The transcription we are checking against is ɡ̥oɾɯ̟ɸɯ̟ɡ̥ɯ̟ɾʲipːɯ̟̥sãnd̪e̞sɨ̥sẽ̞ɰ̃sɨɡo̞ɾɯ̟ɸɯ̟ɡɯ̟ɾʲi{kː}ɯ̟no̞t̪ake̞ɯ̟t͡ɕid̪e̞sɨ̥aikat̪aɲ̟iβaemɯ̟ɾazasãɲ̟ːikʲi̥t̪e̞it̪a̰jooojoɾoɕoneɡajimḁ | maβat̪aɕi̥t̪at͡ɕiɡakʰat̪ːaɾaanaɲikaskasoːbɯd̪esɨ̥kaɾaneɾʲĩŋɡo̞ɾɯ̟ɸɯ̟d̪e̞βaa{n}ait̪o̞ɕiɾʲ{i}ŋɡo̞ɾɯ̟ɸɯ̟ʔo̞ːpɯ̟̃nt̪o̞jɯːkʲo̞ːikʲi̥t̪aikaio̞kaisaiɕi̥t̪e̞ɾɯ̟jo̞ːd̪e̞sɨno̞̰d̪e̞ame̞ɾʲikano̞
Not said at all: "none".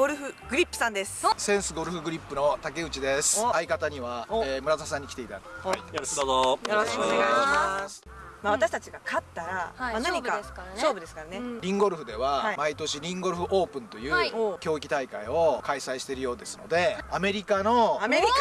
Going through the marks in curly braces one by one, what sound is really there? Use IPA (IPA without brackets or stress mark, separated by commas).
pː, m, ĩ